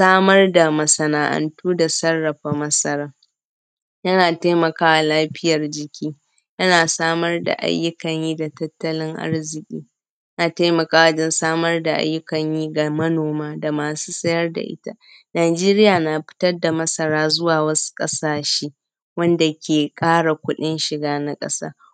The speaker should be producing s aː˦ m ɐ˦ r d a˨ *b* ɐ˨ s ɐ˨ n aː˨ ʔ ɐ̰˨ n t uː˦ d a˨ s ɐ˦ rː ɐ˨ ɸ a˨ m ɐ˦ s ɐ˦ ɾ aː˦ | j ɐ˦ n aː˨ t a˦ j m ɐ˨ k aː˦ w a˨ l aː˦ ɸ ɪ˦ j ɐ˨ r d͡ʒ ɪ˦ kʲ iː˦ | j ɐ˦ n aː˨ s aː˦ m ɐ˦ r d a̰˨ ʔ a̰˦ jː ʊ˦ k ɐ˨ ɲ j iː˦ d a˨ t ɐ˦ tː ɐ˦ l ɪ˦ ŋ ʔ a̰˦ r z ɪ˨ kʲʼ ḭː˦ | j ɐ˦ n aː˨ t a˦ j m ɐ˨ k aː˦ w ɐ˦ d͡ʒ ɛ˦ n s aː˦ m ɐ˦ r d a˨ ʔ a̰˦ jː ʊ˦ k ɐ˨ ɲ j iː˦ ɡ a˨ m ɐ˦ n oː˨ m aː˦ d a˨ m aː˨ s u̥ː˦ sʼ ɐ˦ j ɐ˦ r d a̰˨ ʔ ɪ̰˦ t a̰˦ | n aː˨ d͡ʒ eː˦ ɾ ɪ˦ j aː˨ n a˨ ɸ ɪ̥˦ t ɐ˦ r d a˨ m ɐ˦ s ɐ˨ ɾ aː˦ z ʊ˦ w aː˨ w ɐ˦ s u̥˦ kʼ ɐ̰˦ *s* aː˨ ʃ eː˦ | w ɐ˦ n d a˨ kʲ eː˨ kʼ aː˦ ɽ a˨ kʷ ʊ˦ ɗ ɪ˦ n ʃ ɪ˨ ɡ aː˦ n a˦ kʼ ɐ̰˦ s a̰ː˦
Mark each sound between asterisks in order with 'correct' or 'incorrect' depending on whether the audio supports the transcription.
incorrect: m, correct

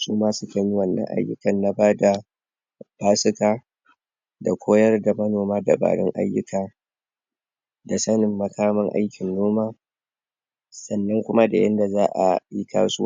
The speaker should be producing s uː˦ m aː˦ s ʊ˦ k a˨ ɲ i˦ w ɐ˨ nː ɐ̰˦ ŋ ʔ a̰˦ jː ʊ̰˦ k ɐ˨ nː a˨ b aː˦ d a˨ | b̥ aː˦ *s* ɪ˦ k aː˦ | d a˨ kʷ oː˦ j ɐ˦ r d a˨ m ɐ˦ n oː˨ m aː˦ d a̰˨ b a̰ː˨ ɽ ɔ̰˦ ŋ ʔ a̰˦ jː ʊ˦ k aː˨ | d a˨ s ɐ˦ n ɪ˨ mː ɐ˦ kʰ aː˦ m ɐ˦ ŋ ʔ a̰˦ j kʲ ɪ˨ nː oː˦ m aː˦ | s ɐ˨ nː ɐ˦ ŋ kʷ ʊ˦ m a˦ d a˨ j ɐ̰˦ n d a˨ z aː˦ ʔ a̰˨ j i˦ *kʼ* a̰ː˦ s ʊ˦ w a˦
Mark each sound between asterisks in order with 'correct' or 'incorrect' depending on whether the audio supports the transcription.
correct, incorrect: k

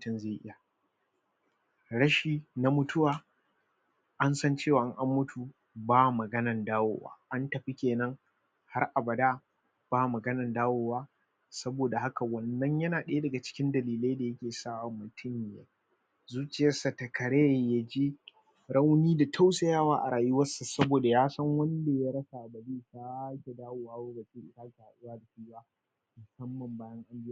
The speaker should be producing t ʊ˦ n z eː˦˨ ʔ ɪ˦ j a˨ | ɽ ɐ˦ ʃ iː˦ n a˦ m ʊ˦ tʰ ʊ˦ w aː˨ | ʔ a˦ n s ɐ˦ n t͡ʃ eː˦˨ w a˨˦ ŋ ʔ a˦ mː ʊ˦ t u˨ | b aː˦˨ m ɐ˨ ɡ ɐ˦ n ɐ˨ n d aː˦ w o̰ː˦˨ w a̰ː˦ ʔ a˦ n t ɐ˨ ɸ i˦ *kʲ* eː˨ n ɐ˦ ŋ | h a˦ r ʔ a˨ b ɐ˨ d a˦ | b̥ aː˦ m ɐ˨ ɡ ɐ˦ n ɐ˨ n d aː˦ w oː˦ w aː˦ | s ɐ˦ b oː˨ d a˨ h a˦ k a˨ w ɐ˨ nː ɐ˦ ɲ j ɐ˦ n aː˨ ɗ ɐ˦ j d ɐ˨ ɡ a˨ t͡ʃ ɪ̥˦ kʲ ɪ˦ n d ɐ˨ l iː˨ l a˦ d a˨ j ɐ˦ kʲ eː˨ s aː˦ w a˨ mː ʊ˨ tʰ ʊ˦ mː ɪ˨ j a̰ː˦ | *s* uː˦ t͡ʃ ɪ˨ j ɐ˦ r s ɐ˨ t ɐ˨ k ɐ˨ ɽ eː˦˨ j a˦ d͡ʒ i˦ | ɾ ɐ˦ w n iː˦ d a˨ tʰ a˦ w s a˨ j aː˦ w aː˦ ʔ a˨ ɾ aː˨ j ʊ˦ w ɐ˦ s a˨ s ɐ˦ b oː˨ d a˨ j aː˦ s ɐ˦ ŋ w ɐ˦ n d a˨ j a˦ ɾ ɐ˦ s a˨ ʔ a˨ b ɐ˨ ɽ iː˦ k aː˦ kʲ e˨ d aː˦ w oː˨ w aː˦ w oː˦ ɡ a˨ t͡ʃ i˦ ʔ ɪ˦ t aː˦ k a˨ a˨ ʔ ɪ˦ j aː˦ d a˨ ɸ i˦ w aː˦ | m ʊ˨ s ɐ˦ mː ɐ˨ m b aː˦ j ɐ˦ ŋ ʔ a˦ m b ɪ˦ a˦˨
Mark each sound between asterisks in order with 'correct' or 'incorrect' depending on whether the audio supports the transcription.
correct, incorrect: z

